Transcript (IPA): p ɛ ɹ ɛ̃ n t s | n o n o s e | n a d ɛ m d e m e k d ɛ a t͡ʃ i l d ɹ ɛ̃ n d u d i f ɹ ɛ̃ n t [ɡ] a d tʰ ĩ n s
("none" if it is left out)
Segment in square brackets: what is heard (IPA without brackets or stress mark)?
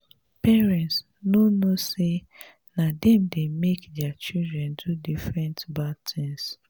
b